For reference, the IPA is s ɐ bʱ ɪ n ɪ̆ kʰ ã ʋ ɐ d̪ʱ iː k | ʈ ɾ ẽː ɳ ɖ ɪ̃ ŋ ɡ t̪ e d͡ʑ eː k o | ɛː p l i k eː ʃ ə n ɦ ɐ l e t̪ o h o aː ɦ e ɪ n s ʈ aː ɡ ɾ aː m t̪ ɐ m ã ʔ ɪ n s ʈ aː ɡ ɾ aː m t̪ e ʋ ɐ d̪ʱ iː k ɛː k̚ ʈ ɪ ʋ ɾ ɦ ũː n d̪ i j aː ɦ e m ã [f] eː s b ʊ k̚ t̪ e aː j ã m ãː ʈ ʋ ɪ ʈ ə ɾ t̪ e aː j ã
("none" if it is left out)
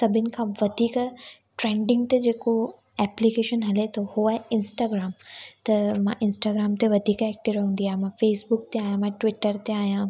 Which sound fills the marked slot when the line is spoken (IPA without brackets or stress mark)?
f